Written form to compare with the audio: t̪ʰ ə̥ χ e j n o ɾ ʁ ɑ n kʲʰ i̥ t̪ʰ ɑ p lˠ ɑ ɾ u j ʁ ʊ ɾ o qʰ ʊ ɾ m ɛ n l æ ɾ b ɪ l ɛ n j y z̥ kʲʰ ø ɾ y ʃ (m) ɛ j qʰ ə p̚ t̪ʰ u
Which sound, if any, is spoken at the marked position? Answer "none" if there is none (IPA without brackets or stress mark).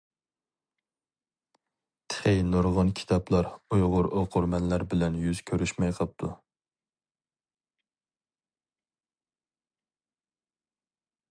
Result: m